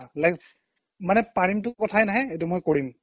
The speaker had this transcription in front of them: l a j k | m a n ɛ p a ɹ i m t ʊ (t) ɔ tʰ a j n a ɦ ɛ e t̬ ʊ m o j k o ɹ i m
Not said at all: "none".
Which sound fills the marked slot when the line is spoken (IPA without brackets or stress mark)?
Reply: k